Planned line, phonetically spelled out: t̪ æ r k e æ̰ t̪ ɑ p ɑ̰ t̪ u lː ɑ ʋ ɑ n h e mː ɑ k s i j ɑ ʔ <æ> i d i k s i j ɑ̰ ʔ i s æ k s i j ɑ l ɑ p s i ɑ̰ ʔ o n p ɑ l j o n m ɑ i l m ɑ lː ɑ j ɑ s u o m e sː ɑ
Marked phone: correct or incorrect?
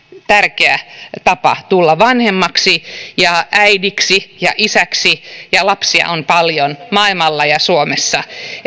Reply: correct